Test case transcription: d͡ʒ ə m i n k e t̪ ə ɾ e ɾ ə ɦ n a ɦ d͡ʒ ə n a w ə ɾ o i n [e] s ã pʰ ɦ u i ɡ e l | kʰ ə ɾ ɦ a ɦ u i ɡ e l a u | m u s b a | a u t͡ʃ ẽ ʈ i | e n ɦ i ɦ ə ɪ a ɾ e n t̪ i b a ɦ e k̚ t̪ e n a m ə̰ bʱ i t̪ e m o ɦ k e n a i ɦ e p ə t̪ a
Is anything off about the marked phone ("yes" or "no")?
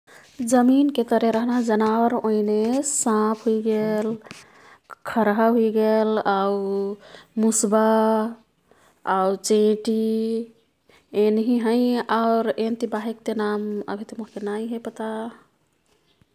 no